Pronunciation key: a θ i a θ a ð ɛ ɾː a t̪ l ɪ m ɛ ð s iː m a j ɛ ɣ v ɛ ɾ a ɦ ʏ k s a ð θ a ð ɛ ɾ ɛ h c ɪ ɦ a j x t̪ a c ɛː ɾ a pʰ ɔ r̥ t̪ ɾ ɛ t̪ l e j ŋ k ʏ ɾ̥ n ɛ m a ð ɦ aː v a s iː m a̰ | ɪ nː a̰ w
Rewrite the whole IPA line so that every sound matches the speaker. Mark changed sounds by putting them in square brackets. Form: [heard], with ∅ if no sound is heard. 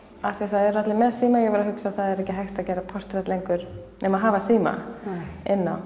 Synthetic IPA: a θ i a θ a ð ɛ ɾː a t̪ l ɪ m ɛ ð s iː m a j ɛ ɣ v ɛ ɾ a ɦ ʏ k s a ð θ a ð ɛ ɾ ɛ h c ɪ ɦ a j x t̪ a c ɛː ɾ a pʰ ɔ r̥ t̪ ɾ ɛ t̪ l e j ŋ k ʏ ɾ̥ n ɛ m a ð ɦ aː v a s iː m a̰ | ɪ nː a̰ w